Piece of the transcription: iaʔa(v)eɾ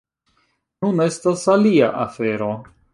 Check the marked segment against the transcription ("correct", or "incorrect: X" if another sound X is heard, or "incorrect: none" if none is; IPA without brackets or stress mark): incorrect: f